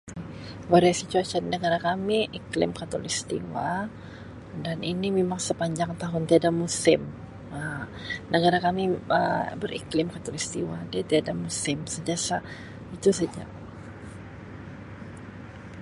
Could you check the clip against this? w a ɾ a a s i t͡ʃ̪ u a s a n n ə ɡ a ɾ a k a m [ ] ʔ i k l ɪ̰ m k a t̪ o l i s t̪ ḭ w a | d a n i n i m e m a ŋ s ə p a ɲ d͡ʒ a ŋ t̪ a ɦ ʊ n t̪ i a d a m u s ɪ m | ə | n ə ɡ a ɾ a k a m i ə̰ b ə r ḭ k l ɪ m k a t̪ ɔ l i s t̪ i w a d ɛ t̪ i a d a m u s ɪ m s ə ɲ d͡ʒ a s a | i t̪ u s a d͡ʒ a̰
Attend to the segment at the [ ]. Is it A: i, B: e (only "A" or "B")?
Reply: A